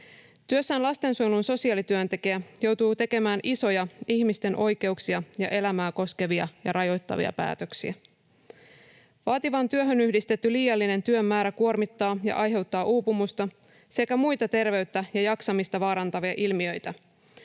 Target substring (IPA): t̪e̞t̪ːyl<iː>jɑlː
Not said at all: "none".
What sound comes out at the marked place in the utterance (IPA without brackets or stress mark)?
iː